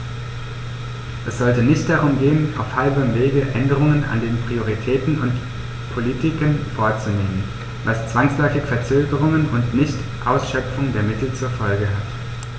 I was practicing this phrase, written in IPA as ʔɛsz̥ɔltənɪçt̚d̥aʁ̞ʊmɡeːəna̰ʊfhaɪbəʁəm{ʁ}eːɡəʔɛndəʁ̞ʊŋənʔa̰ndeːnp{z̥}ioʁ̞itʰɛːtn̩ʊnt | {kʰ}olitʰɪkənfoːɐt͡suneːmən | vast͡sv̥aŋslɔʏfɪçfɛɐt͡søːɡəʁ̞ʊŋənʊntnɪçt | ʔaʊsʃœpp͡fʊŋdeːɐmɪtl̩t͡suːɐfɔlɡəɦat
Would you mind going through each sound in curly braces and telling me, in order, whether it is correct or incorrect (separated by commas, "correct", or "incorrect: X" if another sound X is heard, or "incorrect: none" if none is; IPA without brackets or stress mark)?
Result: incorrect: v, incorrect: ʁ̥, incorrect: pʰ